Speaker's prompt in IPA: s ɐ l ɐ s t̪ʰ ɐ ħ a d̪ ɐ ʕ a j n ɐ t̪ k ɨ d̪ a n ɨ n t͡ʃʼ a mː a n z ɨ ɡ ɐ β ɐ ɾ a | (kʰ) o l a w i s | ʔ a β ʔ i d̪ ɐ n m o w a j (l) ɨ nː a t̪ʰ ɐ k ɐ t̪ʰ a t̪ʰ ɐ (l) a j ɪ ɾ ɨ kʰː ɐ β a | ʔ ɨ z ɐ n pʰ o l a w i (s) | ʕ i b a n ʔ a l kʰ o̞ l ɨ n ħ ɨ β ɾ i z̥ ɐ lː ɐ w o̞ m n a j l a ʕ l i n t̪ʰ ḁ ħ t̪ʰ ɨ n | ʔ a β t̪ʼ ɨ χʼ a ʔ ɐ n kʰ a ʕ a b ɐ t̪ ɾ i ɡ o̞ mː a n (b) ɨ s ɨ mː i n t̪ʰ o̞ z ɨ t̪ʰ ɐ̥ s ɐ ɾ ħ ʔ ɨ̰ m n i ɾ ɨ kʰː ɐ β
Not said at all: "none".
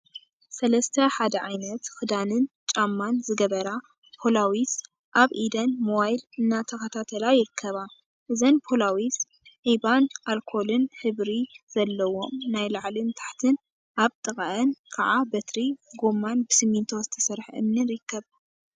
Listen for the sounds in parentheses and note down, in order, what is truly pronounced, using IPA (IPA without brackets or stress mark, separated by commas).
pʰ, l, l, s, b